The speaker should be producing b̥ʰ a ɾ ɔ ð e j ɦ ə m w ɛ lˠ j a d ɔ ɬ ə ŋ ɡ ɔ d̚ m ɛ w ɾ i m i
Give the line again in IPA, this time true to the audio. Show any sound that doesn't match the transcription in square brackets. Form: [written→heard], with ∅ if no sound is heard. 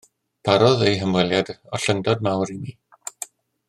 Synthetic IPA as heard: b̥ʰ a ɾ ɔ ð e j ɦ ə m w ɛ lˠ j a d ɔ ɬ ə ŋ [ɡ→d] ɔ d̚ m [ɛ→a] w ɾ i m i

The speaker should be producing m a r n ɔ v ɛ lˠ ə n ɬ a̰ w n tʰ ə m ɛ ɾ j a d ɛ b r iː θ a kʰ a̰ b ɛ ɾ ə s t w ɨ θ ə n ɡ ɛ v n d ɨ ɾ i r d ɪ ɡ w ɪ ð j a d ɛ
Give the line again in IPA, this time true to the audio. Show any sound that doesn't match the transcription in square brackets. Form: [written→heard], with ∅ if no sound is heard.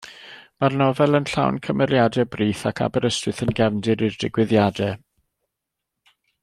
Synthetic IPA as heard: m a r n ɔ v ɛ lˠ ə n ɬ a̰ w n [tʰ→kʰ] ə m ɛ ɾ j a d ɛ b r iː θ a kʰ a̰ b ɛ ɾ ə s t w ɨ θ ə n ɡ ɛ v n d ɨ ɾ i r d ɪ ɡ w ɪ ð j a d ɛ

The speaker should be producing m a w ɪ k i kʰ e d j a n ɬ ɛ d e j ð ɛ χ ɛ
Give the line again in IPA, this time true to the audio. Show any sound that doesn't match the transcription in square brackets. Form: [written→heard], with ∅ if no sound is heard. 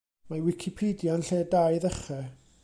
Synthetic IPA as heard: m a w ɪ [k→kʰ] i [kʰ→pʰ] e d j a n ɬ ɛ d [e→a] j ð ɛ χ ɛ

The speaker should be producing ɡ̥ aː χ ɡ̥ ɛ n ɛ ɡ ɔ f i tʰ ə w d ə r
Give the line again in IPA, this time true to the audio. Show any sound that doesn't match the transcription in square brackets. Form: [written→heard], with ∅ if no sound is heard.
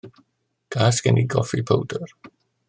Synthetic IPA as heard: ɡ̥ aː [χ→s] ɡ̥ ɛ n [ɛ→i] ɡ ɔ f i [tʰ→pʰ] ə w d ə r

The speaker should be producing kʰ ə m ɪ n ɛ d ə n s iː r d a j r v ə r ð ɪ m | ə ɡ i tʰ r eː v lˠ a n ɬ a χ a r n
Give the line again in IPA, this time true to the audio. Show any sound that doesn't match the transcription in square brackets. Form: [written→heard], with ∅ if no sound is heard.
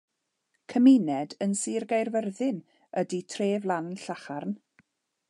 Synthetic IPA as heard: kʰ ə m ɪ n ɛ d ə n s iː r [d→ɡ] a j r v ə r ð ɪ [m→n] | ə [ɡ→d] i tʰ r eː v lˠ a n ɬ a χ a r n

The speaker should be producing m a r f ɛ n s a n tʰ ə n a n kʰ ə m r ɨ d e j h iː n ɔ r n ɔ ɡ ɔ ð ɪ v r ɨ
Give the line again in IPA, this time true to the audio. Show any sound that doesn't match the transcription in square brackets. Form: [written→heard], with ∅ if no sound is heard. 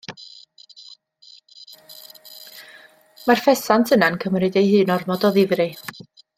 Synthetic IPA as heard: m a r f ɛ [n→∅] s a n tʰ ə n a n kʰ ə m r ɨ d e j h [iː→ɨː] n ɔ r [n→m] ɔ [ɡ→d] ɔ ð ɪ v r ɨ

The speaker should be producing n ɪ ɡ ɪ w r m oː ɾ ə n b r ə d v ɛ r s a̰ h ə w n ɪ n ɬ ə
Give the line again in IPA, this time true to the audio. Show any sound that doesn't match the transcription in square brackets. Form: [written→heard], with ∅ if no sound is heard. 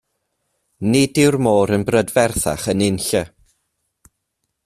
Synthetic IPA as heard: n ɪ [ɡ→d] ɪ w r m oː ɾ ə n b r ə d v ɛ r [s→θ] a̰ [h→χ] ə [w→∅] n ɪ n ɬ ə

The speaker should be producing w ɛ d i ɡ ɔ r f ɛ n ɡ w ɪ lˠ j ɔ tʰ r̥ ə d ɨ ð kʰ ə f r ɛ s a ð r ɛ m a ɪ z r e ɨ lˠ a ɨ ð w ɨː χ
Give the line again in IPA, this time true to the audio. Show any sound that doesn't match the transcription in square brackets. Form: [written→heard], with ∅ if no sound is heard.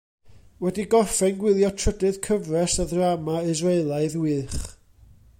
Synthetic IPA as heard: w ɛ d i ɡ ɔ r f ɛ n ɡ w ɪ lˠ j ɔ tʰ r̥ ə d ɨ ð kʰ ə [f→v] r ɛ s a ð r [ɛ→a] m a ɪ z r e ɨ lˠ a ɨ ð w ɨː χ

